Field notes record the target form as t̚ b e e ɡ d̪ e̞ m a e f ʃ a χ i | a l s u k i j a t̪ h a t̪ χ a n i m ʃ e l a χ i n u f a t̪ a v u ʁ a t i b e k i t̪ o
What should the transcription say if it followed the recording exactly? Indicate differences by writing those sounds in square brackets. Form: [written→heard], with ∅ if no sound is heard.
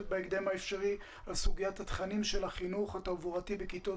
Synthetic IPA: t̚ b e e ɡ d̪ e̞ m a e f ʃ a [χ→ʁ] i | a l s u [k→ɡ] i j a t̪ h a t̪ χ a n i m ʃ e l a χ i n u [f→χ] a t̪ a v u ʁ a t i b e k i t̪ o